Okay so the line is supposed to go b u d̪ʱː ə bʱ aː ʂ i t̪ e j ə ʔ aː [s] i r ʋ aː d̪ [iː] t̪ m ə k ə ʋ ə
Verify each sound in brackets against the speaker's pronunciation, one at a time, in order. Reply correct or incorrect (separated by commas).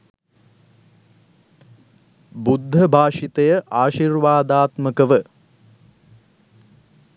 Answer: incorrect, incorrect